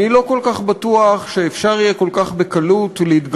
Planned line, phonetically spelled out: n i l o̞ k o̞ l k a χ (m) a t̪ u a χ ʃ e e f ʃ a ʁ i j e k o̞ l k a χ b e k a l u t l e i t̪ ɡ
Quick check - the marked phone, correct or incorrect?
incorrect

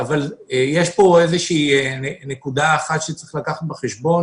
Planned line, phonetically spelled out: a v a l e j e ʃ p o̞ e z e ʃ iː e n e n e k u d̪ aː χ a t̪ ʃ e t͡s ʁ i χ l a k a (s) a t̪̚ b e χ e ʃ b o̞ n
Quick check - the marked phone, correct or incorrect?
incorrect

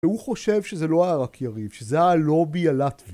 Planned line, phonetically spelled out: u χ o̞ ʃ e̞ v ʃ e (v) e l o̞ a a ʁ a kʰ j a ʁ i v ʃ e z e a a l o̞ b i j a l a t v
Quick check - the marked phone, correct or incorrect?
incorrect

